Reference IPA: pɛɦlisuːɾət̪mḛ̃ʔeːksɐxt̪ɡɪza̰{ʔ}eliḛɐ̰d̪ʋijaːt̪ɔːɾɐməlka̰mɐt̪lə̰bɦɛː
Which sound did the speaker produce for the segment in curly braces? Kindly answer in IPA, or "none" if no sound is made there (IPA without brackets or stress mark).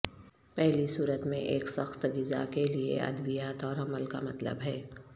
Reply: k